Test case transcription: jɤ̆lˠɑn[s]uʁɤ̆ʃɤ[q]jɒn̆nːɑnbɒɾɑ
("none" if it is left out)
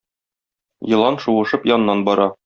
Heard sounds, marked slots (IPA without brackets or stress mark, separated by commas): ʃ, p